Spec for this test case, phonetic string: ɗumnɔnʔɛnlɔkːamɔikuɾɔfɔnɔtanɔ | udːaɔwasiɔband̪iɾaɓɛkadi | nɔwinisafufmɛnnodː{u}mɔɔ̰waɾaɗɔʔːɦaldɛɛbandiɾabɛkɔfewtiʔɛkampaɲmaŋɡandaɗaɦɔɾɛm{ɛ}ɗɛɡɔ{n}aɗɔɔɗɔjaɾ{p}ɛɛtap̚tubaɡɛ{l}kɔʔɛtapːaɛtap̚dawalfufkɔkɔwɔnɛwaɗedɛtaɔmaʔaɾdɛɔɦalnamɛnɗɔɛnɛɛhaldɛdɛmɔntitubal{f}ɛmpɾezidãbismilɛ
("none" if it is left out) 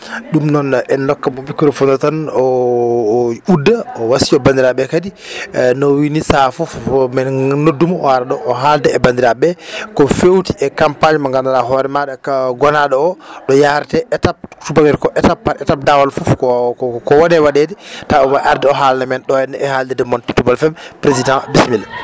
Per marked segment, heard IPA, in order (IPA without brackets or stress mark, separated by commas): u, a, n, t, ɾ, f